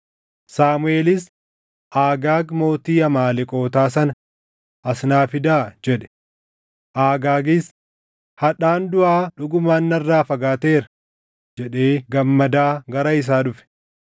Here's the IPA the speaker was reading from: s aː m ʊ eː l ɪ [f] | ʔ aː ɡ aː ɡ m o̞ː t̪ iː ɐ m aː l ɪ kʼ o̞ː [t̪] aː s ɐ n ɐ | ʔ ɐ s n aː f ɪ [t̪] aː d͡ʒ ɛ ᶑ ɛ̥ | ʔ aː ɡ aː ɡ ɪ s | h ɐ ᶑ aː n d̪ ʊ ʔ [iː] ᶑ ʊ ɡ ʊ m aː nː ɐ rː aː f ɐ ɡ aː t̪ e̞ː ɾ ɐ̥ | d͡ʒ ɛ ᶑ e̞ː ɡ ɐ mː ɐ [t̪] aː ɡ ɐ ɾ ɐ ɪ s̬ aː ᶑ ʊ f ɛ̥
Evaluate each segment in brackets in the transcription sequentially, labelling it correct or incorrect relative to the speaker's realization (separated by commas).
incorrect, correct, incorrect, incorrect, incorrect